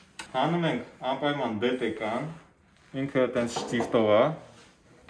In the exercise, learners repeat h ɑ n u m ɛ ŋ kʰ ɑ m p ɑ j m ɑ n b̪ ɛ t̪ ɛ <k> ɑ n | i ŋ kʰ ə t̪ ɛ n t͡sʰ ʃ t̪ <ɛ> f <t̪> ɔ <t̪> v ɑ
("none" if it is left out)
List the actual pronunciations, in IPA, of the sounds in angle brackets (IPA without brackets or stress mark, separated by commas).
k, i, t̪, none